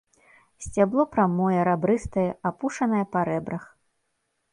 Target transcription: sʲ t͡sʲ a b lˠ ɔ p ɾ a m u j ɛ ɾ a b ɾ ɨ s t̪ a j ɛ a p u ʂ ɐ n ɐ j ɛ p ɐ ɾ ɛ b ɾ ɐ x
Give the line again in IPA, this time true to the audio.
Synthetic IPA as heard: sʲ t͡sʲ a b lˠ ɔ p ɾ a m ɔ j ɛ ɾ a b ɾ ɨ s t̪ ɐ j ɛ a p u ʂ ɐ n ɐ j ɛ p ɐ ɾ ɛ b ɾ ɐ x